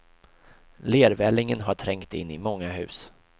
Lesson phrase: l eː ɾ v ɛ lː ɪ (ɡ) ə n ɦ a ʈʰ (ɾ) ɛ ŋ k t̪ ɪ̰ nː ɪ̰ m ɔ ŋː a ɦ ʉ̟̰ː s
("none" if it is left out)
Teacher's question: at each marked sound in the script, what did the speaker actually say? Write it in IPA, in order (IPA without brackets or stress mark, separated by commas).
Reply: ŋ, ɾ